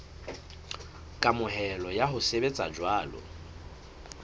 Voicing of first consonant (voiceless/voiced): voiceless